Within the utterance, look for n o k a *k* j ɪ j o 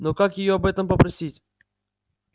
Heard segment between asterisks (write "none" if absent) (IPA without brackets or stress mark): k